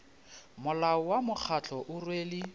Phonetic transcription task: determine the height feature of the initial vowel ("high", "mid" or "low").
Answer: high